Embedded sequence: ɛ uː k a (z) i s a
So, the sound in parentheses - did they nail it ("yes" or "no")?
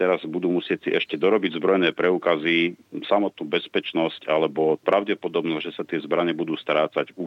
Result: yes